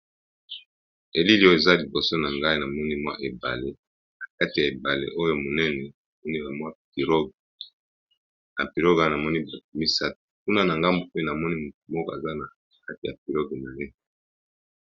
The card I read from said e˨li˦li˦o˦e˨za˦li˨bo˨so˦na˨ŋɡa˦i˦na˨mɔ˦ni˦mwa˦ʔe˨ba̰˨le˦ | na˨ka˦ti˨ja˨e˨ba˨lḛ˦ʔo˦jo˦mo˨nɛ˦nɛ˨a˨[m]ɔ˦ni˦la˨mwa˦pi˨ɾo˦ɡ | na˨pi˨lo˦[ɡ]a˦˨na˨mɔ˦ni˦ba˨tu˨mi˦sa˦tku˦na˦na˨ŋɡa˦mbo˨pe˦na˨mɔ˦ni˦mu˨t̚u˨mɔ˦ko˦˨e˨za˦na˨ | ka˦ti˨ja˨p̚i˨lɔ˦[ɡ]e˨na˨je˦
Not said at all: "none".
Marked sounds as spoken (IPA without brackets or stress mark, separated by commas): m, ɡ, ɡ